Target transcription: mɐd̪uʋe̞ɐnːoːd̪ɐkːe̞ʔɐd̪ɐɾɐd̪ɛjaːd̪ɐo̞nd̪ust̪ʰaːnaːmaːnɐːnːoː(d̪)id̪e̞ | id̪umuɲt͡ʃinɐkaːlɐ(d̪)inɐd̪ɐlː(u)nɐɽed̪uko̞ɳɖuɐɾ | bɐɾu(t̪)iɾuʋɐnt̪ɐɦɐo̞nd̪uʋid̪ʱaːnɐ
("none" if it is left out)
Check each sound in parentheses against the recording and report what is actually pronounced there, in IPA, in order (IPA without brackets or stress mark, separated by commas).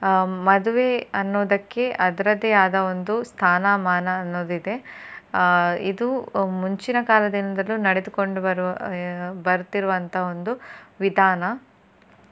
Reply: d̪, d̪, u, t̪